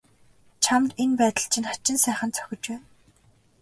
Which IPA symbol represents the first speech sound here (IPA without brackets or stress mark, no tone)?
t͡ɕʰ